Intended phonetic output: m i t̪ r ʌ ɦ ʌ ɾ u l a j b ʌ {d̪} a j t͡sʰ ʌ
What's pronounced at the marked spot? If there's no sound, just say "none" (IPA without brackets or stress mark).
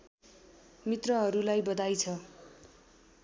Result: d̪